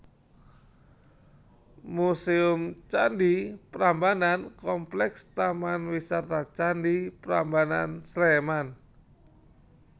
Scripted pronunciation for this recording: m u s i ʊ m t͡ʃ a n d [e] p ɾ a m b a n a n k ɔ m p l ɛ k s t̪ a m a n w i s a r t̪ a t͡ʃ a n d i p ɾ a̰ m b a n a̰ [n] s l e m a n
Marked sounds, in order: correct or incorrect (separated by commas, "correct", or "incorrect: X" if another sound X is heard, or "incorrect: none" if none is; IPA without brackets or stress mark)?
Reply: incorrect: i, correct